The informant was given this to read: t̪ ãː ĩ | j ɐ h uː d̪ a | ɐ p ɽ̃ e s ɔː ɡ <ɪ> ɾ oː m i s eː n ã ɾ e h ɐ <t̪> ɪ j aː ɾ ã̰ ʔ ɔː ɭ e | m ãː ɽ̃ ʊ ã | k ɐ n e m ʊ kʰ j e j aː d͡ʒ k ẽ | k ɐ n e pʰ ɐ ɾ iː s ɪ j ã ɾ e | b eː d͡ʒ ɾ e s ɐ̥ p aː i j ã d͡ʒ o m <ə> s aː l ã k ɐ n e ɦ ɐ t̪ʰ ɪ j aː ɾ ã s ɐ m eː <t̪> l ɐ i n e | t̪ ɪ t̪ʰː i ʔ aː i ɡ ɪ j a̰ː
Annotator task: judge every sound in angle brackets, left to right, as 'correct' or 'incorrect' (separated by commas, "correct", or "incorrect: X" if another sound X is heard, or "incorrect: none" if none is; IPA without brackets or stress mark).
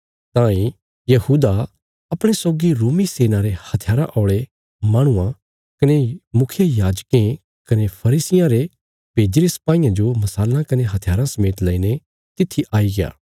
incorrect: i, incorrect: t̪ʰ, incorrect: ɐ, correct